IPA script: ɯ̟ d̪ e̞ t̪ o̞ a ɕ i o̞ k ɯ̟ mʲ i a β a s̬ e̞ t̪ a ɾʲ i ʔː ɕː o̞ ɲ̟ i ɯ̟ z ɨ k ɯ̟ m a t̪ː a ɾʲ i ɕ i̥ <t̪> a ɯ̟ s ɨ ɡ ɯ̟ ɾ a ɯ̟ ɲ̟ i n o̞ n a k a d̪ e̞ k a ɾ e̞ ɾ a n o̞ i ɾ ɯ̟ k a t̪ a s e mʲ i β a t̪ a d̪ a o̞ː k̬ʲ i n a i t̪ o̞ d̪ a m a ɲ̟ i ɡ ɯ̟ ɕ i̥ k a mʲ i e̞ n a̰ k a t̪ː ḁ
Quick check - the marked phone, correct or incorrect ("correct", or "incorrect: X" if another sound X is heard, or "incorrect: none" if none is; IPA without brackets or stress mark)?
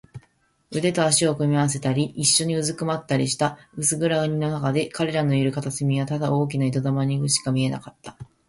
correct